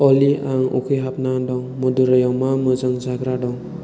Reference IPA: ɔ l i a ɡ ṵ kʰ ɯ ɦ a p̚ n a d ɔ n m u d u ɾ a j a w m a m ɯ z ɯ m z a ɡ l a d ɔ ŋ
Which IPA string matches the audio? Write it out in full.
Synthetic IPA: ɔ l i a ŋ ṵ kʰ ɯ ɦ a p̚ n a d ɔ ŋ m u d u ɾ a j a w m a m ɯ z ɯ ŋ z a ɡ ɾ a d ɔ ŋ